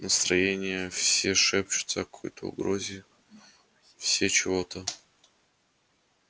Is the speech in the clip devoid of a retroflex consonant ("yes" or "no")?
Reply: no